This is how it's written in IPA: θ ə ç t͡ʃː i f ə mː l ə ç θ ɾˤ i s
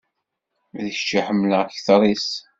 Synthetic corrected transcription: ð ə ç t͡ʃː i ħ ə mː l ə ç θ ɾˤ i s